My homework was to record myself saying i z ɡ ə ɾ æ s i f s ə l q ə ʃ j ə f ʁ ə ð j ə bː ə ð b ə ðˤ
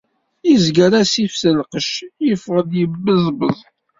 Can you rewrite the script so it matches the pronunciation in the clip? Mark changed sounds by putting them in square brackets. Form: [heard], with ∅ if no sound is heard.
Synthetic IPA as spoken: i z ɡ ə ɾ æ s i f s ə l q ə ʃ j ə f ʁ ə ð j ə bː ə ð b ə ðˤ